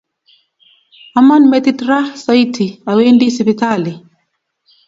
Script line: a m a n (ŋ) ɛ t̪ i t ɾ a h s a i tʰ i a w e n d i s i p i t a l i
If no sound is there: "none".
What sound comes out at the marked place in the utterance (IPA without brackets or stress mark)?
m